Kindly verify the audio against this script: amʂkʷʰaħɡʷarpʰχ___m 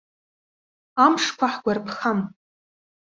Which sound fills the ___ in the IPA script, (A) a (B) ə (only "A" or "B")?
A